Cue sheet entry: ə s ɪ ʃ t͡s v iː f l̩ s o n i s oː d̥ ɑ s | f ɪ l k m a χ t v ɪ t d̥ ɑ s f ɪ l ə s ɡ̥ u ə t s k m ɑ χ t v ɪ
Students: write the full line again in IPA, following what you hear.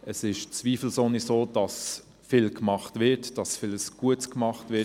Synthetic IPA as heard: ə s ɪ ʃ t͡s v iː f l̩ s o n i s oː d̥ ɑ s | f ɪ l k m ɑ χ t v ɪ t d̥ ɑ s f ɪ l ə s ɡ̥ u ə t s k m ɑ χ t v ɪ